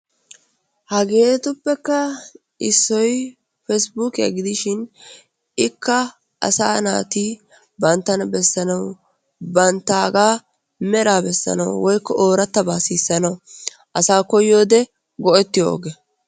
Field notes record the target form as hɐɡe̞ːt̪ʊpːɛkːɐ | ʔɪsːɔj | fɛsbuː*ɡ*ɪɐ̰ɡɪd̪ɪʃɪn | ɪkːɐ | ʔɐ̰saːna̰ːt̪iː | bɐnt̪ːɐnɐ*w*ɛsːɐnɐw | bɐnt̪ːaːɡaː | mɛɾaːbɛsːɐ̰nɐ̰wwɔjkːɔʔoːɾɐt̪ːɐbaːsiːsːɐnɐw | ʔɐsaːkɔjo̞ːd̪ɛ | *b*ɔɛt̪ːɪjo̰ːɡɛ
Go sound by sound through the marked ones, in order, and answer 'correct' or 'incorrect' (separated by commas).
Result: incorrect, incorrect, incorrect